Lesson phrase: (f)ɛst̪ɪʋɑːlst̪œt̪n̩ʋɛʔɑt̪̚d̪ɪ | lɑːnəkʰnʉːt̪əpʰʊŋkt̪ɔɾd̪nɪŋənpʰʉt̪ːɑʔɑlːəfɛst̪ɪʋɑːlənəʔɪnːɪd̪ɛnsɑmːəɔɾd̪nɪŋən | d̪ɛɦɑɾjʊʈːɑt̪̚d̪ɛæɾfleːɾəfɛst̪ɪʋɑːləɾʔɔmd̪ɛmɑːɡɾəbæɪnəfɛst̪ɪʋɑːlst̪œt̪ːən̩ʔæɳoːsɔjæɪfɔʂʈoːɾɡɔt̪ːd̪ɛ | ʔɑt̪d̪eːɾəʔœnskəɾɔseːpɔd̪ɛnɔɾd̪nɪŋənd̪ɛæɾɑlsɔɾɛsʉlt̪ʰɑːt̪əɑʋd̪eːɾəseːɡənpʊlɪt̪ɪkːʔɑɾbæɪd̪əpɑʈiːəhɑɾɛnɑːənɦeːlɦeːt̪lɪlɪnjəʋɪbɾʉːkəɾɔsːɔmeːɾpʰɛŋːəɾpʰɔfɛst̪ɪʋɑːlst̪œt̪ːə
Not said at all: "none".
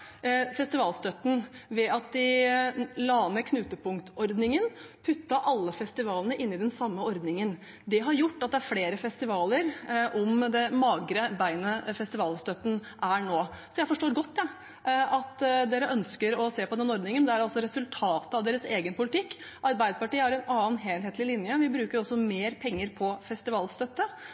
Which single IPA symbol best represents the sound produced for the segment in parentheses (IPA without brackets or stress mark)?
f